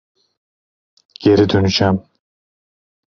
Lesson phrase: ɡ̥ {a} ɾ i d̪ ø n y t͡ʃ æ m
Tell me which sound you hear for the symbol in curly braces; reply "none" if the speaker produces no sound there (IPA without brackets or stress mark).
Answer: e